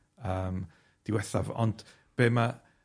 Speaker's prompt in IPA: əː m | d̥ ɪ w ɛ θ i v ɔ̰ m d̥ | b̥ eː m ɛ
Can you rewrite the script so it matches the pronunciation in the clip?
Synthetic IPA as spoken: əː m | d̥ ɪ w ɛ θ a v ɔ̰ n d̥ | b̥ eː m a